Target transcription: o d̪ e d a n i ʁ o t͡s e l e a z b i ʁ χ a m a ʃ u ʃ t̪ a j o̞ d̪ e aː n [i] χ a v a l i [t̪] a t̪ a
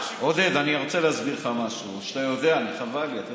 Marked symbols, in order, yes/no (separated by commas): yes, no